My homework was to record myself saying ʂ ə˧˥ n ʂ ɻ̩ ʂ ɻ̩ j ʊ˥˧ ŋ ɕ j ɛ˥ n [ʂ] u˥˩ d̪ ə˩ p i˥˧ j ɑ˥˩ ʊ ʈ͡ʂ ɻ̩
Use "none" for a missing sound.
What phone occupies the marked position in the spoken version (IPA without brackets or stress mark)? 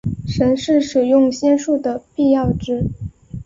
ʂ